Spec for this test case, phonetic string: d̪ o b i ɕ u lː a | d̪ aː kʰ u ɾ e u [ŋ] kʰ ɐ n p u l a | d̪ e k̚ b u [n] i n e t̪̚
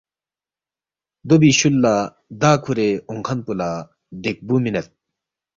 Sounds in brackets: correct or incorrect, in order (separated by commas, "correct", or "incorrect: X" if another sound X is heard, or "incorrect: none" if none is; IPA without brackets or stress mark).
correct, incorrect: m